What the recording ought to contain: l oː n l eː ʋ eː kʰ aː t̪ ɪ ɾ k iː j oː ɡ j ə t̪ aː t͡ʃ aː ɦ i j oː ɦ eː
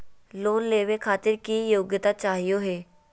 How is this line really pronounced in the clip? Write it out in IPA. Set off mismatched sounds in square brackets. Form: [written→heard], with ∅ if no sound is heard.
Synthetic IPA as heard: l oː n l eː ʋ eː kʰ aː t̪ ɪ ɾ k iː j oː ɡ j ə t̪ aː t͡ʃ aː ɦ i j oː ɦ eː